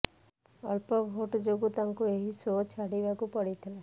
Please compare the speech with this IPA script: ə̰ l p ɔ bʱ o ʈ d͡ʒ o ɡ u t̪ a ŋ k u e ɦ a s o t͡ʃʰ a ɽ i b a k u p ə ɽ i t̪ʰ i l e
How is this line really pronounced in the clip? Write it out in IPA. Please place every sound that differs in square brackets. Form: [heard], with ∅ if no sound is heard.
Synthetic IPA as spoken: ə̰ l p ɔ bʱ o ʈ d͡ʒ o ɡ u t̪ a ŋ k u e ɦ [i] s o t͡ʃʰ a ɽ i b a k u p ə ɽ i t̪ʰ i l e